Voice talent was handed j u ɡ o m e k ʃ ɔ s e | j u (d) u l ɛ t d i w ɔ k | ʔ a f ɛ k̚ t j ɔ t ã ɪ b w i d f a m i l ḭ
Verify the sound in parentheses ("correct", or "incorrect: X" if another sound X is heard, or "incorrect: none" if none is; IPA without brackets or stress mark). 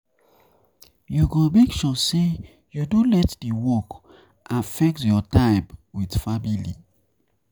correct